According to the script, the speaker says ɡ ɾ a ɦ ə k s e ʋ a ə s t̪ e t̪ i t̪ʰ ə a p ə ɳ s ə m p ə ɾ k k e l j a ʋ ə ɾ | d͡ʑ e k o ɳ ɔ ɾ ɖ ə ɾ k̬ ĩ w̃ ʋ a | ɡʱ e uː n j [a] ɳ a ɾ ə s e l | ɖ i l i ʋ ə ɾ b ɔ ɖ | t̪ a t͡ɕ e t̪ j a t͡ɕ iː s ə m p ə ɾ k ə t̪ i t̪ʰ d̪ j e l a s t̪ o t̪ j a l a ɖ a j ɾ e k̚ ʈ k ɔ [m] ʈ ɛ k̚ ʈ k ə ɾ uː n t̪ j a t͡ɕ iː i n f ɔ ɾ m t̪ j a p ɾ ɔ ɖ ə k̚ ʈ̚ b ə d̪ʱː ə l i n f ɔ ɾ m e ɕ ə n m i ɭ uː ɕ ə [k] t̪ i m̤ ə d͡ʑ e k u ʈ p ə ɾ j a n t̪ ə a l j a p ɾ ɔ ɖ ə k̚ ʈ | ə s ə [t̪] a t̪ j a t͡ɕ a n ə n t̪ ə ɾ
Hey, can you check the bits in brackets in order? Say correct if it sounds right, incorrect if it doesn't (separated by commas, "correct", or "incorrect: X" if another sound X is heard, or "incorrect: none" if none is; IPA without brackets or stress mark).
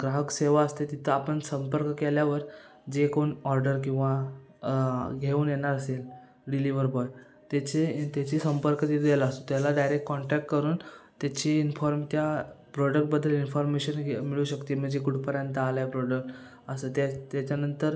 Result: incorrect: e, incorrect: ɳ, correct, correct